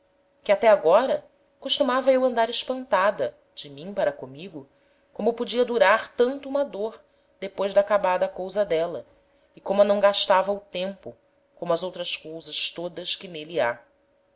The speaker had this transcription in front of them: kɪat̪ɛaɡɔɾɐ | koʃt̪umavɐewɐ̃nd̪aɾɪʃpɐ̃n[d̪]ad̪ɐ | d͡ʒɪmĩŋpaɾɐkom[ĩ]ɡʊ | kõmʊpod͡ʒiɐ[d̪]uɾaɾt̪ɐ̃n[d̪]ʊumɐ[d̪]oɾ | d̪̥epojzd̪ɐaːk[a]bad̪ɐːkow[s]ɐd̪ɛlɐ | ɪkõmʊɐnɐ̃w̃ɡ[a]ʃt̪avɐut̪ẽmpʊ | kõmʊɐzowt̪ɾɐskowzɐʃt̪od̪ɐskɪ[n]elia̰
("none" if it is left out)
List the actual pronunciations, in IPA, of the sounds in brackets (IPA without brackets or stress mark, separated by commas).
t̪, i, d̪, t̪, d̪, a, z, a, n